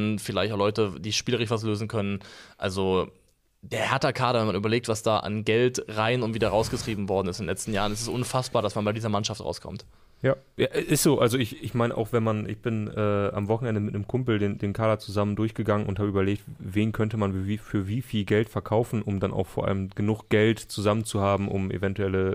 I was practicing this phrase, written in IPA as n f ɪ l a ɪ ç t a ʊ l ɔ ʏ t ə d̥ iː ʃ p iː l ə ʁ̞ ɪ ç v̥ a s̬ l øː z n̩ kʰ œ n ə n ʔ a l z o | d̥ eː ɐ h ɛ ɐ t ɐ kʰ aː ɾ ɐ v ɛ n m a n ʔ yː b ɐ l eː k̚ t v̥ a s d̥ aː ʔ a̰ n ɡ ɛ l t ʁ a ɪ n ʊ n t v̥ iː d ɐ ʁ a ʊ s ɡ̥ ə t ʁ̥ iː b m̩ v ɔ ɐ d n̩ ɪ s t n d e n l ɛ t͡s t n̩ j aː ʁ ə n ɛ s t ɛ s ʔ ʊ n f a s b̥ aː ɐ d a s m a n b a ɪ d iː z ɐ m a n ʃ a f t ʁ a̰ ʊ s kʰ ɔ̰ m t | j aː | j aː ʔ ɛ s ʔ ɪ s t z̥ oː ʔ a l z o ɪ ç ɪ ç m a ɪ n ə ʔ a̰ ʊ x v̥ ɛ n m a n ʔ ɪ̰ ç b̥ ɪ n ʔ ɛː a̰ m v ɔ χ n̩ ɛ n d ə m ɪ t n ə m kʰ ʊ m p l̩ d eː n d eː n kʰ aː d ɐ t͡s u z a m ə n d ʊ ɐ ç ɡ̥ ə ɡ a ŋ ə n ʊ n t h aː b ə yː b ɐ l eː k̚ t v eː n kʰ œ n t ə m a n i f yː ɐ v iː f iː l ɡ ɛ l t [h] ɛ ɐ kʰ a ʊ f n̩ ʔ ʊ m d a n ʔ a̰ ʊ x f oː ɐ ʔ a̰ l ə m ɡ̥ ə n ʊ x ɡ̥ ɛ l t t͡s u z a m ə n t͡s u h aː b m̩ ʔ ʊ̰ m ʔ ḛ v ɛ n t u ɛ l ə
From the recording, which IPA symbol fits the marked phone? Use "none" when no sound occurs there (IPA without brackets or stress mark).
f